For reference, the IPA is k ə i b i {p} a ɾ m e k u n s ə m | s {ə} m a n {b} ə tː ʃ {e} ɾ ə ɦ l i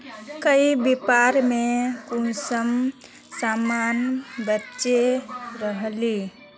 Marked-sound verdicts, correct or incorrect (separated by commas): correct, incorrect, correct, correct